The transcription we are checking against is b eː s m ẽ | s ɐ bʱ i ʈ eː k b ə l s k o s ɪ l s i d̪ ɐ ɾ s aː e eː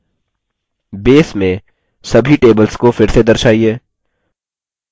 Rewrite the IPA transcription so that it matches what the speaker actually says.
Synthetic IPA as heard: b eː s m ẽ | s ɐ bʱ i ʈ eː b ə l s k o f ɪ ɾ s e d̪ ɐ ɾ ʃ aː i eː